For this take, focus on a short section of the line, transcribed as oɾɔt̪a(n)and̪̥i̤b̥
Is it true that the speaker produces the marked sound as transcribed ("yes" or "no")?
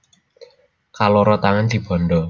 no